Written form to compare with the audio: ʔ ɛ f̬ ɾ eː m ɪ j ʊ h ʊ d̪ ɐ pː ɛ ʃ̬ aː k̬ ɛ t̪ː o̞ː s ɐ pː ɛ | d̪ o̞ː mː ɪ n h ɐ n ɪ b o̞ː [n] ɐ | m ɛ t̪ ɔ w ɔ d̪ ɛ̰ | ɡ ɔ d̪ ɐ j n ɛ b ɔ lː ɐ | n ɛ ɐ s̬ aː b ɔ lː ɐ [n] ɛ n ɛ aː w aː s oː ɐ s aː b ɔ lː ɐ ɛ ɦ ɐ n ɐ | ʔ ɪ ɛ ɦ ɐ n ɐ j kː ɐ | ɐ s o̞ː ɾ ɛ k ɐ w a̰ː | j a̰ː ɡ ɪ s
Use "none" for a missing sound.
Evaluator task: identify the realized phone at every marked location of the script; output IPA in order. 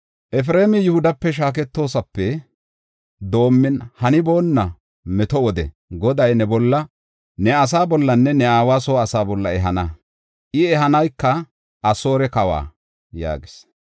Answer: nː, nː

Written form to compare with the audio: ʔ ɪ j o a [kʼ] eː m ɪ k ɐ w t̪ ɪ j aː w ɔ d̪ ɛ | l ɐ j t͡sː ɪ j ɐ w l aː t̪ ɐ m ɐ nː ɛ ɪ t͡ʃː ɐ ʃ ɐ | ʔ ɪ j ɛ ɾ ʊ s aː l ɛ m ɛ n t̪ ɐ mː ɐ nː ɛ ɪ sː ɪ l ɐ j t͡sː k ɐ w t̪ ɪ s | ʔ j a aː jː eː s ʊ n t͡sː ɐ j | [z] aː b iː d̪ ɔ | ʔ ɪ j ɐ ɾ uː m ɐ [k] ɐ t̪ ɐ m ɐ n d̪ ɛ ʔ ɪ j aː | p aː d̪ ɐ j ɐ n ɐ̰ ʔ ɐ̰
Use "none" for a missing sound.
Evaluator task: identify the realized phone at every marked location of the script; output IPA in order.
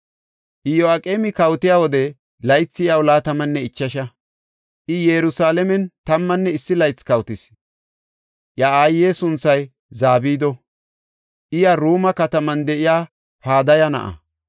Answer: kʼ, z, k

